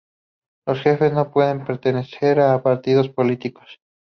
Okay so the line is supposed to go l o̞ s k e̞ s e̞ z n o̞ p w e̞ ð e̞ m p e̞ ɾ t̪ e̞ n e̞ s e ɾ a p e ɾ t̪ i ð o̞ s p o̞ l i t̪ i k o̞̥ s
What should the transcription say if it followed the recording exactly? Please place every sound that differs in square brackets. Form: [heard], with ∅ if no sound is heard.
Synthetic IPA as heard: l o̞ s [x] e̞ [f] e̞ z n o̞ p w e̞ ð e̞ m p e̞ ɾ t̪ e̞ n e̞ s e ɾ a p [a] ɾ t̪ i ð o̞ s p o̞ l i t̪ i k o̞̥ s